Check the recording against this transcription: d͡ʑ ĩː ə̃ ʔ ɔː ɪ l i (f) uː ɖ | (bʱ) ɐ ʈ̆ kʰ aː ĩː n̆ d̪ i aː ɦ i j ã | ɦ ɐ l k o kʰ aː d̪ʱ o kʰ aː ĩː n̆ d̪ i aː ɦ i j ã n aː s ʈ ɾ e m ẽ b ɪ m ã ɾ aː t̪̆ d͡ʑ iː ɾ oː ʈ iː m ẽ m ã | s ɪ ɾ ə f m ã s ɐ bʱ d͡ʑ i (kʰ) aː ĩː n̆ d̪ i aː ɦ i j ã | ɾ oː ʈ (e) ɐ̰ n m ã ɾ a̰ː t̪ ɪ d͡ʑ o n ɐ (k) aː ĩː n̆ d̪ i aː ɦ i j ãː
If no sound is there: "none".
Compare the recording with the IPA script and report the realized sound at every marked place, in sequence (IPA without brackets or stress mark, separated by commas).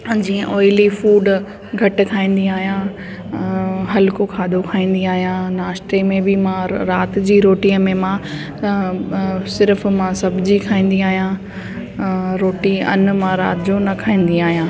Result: f, ɡʱ, kʰ, i, kʰ